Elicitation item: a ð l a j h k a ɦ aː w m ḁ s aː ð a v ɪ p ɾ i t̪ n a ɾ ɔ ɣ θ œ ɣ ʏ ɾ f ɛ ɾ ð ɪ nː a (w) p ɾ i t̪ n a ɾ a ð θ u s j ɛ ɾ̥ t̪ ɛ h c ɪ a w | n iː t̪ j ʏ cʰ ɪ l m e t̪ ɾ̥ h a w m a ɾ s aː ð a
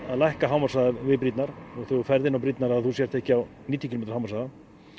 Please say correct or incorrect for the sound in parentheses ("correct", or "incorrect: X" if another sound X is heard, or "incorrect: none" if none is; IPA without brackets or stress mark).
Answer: correct